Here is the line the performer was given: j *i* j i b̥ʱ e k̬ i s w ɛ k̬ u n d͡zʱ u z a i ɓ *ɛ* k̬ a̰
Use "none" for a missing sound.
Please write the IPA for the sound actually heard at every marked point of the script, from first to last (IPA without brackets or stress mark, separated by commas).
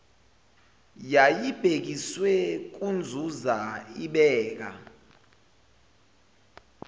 a, ɛː